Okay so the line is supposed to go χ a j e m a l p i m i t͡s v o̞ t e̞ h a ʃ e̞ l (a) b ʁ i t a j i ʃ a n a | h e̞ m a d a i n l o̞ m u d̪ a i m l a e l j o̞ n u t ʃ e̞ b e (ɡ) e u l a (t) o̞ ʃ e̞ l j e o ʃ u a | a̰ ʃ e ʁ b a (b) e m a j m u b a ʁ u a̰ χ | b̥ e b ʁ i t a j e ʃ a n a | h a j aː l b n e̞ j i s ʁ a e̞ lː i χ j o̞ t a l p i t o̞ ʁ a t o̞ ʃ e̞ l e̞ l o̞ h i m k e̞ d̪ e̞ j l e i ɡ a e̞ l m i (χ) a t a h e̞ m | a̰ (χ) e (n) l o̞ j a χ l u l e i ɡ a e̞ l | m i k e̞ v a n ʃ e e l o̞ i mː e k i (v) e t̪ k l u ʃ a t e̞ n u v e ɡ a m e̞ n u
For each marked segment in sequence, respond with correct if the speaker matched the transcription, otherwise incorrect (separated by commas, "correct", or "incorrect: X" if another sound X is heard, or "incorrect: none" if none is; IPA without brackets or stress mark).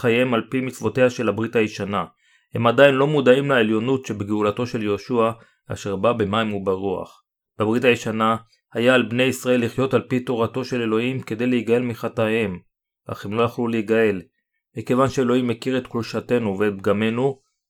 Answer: correct, correct, correct, correct, correct, correct, incorrect: m, incorrect: ʁ